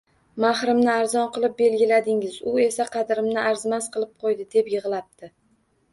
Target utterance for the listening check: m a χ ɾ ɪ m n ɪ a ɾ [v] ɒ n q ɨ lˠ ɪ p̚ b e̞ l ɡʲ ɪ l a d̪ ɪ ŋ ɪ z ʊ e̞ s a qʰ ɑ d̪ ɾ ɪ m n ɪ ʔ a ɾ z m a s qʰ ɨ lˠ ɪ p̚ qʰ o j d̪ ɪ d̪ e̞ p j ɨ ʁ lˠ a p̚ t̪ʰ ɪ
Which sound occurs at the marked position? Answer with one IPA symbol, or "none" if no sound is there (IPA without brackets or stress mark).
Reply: z